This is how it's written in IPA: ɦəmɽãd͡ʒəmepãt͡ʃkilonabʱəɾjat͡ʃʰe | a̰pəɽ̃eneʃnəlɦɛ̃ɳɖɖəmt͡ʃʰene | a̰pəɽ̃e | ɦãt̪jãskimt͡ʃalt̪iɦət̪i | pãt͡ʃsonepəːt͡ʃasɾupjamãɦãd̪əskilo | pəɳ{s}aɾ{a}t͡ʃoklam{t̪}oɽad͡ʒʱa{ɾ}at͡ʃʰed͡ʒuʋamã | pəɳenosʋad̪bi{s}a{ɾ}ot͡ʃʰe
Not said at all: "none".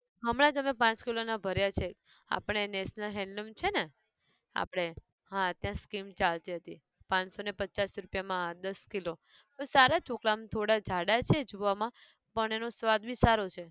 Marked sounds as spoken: s, a, t̪ʰ, ɽ, s, ɾ

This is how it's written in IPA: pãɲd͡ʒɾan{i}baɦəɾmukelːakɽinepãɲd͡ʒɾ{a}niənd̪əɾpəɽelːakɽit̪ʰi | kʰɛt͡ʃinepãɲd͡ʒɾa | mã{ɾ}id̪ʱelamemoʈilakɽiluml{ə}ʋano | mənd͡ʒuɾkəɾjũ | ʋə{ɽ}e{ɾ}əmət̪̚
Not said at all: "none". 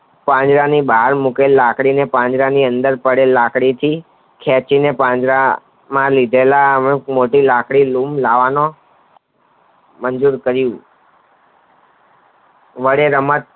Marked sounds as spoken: i, a, l, a, ɽ, ɾ

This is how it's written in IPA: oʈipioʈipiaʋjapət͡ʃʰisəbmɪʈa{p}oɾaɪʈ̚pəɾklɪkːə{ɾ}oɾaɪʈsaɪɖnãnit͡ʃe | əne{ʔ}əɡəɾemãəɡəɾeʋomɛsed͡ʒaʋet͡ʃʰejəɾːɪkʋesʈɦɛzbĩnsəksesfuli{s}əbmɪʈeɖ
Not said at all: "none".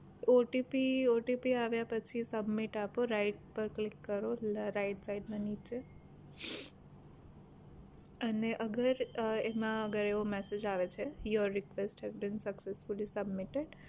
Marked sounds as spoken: p, ɾ, ʔ, s

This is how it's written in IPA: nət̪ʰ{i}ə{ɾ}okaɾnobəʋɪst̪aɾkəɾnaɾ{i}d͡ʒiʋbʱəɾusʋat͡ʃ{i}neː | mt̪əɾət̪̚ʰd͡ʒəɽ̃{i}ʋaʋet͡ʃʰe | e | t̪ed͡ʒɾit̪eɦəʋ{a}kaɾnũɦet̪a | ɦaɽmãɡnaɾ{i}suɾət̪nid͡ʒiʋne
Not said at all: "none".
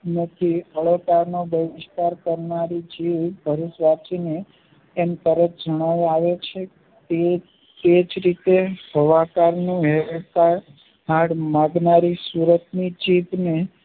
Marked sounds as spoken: i, ɭ, i, i, a, a, i

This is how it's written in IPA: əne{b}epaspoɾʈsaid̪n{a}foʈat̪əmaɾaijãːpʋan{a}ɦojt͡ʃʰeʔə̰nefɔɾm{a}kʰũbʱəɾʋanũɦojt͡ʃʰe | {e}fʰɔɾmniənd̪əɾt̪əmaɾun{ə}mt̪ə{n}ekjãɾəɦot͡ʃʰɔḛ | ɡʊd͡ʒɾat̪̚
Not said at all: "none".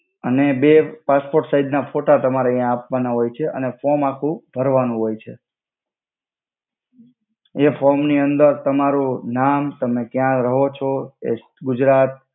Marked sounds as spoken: b, a, a, a, e, a, m

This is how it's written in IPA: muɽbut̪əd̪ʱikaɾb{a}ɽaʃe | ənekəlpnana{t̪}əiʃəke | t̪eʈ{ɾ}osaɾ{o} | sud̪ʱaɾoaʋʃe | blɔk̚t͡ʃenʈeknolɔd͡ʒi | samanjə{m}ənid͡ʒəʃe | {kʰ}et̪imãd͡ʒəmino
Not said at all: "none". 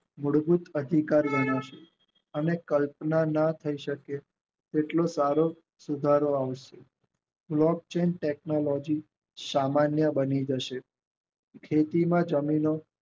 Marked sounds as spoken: ə, t̪ʰ, l, o, b, kʰ

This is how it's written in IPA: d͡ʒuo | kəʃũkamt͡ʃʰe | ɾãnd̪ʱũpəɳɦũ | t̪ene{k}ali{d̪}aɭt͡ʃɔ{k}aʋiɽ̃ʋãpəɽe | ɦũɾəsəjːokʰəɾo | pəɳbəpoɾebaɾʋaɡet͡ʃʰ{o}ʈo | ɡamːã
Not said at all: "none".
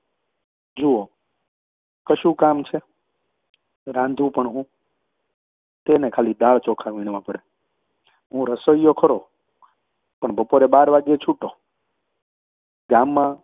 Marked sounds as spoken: kʰ, d̪, kʰ, u

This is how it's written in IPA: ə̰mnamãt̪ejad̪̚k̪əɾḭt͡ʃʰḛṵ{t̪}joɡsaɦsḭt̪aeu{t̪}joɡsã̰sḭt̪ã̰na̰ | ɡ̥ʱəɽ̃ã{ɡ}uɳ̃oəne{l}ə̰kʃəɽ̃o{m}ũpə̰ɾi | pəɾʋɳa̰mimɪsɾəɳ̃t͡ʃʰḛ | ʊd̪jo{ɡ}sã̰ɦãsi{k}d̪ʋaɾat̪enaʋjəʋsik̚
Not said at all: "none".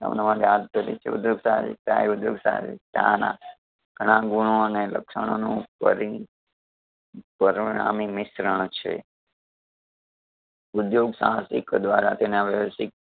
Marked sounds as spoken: d̪, d̪, ɡ, l, n, ɡ, k

